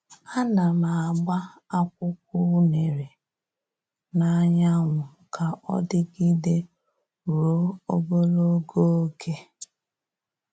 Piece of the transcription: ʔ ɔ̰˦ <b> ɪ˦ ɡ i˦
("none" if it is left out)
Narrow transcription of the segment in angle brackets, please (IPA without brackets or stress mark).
d